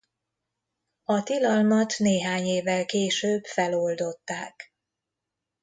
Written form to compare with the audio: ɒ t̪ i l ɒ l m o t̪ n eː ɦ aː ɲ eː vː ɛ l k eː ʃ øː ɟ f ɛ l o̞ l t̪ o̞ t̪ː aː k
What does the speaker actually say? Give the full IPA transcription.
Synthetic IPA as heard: ɒ t̪ i l ɒ l m ɒ t̪ n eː ɦ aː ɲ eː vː ɛ l k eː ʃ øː b f ɛ l o̞ l d̪ o̞ t̪ː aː k